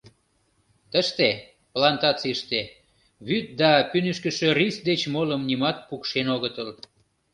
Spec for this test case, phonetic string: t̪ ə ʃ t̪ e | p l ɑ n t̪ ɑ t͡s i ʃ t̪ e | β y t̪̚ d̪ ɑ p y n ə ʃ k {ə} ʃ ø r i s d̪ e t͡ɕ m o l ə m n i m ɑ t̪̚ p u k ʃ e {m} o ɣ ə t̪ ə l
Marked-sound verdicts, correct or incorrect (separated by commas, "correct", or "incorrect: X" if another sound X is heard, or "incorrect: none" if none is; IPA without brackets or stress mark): correct, incorrect: n